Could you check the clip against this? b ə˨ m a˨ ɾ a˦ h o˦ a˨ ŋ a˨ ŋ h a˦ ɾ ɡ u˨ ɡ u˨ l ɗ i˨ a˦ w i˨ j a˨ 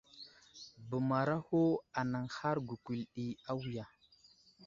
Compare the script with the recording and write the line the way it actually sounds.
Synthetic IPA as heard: b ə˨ m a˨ ɾ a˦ h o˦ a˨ n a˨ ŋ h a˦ ɾ ɡ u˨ k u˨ l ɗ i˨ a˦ w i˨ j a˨